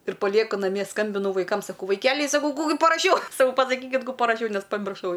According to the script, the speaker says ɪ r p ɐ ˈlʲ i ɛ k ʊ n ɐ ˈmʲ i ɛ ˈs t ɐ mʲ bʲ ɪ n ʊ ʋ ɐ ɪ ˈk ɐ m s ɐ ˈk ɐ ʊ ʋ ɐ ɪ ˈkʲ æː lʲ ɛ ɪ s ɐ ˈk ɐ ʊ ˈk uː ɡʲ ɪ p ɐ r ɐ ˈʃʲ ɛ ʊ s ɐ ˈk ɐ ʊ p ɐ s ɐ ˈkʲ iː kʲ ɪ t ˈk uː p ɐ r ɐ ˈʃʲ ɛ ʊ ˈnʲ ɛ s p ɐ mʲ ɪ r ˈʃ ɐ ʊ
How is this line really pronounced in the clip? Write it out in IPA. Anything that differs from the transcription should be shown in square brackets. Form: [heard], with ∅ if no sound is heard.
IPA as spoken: ɪ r p ɐ ˈlʲ i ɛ k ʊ n ɐ ˈmʲ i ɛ ˈs [k] ɐ mʲ bʲ ɪ n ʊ ʋ ɐ ɪ ˈk ɐ m s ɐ ˈk ɐ ʊ ʋ ɐ ɪ ˈkʲ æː lʲ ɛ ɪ s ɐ ˈk ɐ ʊ ˈk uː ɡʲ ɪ p ɐ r ɐ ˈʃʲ ɛ ʊ s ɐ ˈk ɐ ʊ p ɐ s ɐ ˈkʲ iː kʲ ɪ t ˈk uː p ɐ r ɐ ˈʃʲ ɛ ʊ ˈnʲ ɛ s p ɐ mʲ ɪ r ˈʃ ɐ ʊ